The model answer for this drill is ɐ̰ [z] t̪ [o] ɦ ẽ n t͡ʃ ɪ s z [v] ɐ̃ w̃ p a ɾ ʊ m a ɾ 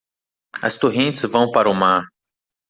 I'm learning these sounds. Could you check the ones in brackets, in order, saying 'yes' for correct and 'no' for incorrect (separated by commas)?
no, yes, yes